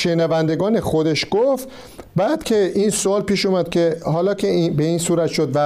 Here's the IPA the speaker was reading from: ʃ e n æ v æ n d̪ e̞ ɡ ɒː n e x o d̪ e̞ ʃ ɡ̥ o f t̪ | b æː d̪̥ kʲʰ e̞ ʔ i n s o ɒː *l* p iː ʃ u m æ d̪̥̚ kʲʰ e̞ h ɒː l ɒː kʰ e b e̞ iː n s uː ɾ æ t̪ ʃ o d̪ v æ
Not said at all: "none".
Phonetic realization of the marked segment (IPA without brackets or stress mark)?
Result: l